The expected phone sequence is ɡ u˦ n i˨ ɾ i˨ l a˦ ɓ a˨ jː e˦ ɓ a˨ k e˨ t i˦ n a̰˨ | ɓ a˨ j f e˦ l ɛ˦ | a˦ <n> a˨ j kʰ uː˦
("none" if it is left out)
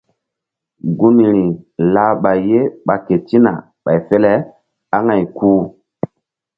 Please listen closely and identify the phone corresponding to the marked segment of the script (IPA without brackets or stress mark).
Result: ŋ